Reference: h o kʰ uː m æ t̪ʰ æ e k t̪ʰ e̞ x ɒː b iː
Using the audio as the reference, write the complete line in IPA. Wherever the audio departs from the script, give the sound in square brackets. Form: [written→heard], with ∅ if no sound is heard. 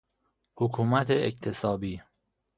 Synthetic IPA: h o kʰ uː m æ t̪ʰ [æ→e] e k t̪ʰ e̞ [x→s] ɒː b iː